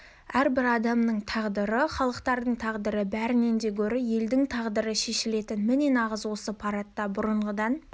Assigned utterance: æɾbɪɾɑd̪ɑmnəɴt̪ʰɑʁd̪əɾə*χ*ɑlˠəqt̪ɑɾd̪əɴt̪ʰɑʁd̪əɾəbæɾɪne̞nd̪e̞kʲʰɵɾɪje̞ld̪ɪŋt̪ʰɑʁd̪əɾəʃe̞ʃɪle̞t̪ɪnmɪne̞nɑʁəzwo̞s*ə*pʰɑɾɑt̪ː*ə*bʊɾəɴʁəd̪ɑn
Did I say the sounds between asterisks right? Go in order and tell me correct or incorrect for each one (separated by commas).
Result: correct, correct, incorrect